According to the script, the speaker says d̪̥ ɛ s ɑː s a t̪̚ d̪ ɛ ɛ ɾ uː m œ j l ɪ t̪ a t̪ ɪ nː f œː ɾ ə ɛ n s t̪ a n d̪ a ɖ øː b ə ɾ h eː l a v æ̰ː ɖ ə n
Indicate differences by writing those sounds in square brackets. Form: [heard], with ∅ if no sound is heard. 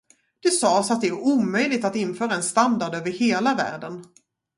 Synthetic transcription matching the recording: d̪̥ ɛ s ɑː s a t̪̚ d̪ ɛ [æ] ɾ uː m œ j l ɪ t̪ a t̪ ɪ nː f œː ɾ [a] ɛ n s t̪ a n d̪ a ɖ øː [v] ə ɾ h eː l a v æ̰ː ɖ ə n